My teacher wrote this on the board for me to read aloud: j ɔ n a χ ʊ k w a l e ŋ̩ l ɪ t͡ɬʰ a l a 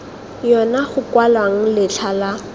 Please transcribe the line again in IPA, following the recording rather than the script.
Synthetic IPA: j ɔ n a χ ʊ k w a l a ŋ̩ l ɪ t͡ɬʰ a l a